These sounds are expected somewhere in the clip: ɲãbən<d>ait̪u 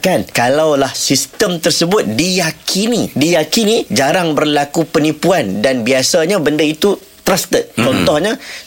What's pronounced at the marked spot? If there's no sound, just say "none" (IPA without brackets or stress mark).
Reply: d